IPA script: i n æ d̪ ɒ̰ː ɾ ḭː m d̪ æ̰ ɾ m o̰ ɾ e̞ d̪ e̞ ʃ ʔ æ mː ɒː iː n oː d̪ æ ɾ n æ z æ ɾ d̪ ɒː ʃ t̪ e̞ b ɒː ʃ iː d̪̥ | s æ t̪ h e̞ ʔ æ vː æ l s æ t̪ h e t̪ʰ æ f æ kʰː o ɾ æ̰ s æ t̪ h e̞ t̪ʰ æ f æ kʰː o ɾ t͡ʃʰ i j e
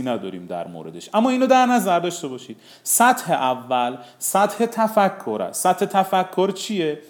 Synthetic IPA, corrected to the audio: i n æ d̪ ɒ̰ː ɾ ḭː m d̪ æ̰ ɾ m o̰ ɾ e̞ d̪ e̞ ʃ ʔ æ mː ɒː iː n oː d̪ æ ɾ n æ z æ ɾ d̪ ɒː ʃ t̪ e̞ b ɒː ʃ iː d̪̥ | s æ t̪ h e̞ ʔ æ vː æ l s æ t̪ h e t̪ʰ æ f æ kʰː o ɾ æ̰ s æ t̪ h e̞ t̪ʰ æ f æ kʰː o ɾ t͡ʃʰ i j e